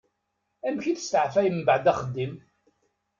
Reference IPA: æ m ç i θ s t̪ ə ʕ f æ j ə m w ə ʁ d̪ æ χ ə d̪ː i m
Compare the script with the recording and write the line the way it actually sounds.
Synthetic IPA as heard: æ m ç i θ s t̪ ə ʕ f æ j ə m b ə ʕ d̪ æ χ ə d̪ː i m